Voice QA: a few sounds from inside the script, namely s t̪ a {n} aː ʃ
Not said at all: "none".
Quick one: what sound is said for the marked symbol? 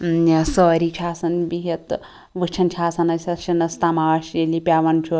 m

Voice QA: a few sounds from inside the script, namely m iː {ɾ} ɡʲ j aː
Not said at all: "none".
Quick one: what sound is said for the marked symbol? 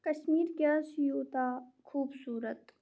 ɾ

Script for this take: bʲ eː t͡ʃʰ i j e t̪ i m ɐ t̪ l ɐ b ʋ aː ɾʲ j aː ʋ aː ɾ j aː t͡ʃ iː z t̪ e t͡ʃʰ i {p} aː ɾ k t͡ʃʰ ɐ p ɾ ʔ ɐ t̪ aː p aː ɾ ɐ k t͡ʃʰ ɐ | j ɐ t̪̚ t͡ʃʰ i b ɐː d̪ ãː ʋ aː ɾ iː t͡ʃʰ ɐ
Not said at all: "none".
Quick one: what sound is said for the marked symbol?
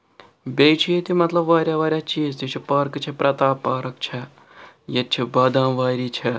p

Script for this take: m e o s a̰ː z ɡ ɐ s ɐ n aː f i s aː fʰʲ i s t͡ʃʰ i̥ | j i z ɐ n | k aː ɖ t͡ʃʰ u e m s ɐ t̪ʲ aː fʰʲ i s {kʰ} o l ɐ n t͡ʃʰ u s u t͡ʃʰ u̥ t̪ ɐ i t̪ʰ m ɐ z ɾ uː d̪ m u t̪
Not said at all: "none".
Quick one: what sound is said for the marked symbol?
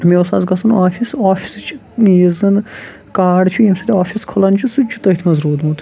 kʰ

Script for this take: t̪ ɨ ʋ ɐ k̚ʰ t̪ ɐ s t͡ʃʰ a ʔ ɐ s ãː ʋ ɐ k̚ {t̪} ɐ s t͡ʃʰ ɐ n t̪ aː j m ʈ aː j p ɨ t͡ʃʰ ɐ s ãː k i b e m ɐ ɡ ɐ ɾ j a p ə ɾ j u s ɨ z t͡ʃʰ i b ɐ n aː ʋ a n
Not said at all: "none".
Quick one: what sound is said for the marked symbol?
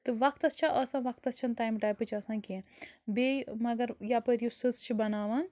t̪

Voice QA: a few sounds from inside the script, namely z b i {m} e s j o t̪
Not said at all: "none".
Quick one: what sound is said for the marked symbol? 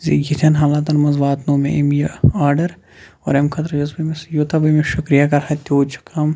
m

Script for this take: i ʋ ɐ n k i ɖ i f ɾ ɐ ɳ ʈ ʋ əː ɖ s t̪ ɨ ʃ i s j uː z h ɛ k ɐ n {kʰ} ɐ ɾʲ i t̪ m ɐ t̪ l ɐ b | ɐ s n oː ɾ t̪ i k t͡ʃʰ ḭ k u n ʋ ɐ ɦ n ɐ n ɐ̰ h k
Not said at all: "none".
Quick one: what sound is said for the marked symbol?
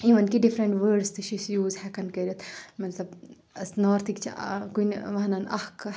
k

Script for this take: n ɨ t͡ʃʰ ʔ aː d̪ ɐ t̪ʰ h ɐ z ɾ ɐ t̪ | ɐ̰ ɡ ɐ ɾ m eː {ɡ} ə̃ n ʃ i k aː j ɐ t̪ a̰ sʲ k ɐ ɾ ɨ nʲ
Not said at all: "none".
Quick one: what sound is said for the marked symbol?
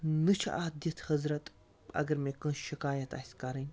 k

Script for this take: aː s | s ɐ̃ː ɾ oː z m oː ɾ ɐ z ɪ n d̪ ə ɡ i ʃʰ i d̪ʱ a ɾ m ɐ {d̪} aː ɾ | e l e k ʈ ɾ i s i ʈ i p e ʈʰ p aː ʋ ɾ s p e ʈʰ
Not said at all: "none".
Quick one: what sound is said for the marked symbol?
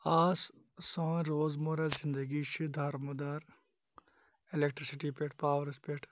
d̪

